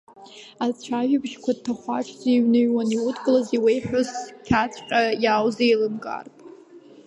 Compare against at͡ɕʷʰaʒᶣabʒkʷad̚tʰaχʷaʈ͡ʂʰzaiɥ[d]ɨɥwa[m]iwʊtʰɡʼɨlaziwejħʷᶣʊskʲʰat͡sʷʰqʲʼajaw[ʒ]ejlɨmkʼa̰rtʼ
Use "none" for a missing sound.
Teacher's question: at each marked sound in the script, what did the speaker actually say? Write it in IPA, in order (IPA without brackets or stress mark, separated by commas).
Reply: n, n, z